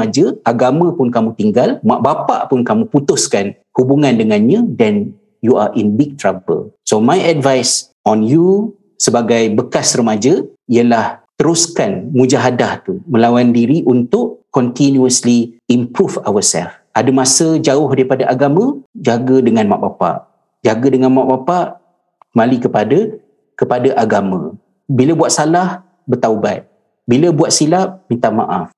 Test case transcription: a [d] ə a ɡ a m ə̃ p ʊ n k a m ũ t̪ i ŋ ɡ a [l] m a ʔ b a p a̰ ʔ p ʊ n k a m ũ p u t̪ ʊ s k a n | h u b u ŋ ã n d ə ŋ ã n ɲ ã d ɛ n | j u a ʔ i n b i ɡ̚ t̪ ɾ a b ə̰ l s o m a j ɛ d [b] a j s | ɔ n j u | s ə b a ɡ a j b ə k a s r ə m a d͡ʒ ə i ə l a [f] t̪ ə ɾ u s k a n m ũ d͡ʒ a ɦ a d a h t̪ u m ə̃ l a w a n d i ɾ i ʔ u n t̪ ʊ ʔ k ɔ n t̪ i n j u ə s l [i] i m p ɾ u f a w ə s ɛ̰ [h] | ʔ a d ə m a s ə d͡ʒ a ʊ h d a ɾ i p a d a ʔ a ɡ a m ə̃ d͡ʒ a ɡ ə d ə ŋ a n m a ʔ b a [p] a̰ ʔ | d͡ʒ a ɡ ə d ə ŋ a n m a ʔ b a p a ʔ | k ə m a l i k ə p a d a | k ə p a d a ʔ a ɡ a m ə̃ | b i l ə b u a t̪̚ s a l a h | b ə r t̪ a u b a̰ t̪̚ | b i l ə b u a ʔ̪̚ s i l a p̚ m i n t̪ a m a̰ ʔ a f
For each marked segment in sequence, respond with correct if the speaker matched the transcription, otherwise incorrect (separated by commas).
incorrect, correct, incorrect, incorrect, correct, incorrect, correct